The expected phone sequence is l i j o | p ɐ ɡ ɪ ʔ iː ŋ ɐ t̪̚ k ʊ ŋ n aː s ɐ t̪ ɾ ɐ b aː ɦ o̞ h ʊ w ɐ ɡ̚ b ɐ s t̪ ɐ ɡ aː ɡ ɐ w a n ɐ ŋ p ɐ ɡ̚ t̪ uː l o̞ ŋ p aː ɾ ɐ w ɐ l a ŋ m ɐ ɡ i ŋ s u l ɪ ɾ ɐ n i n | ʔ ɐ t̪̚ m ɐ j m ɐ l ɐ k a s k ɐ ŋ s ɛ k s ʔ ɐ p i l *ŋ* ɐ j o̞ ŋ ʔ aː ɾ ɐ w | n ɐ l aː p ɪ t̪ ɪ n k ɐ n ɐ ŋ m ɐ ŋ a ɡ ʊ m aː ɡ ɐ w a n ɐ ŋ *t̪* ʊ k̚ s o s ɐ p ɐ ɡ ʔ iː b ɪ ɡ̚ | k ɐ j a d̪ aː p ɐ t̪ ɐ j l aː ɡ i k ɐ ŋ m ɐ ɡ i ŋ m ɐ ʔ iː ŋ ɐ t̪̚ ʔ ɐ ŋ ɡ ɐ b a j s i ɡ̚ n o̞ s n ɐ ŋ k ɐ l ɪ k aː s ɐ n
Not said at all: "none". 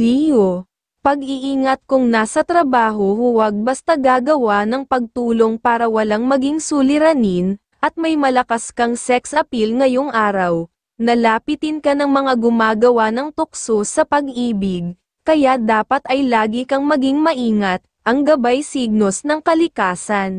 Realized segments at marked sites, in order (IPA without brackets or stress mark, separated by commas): ŋ, t̪